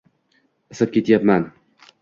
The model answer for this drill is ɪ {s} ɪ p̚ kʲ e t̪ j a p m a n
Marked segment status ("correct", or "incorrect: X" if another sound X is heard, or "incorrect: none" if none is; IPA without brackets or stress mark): correct